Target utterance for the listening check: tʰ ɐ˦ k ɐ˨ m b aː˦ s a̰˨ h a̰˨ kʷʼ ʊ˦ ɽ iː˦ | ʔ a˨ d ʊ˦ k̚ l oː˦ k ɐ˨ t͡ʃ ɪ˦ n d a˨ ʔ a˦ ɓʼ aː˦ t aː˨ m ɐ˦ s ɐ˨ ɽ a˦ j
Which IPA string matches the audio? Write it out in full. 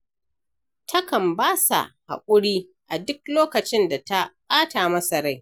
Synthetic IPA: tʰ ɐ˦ k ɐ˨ m b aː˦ s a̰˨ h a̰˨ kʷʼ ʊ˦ ɽ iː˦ | ʔ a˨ d ʊ˦ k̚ l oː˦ k ɐ˨ t͡ʃ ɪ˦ n d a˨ t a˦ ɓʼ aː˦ t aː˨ m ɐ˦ s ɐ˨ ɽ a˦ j